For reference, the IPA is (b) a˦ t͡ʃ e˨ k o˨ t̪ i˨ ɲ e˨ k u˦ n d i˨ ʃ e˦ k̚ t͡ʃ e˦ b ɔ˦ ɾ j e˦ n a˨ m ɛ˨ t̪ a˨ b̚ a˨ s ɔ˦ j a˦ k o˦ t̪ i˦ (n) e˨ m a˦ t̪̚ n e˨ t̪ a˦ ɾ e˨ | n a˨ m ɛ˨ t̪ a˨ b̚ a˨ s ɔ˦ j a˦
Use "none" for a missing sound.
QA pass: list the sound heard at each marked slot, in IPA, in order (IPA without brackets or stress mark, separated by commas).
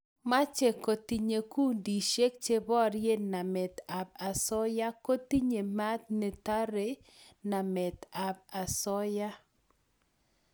m, ɲ